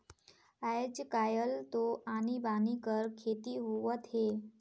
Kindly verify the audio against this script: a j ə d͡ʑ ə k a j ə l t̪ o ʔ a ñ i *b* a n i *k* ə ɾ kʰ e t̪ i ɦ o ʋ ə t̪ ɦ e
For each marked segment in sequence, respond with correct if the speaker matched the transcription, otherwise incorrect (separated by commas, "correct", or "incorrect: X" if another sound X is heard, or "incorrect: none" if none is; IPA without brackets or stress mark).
correct, correct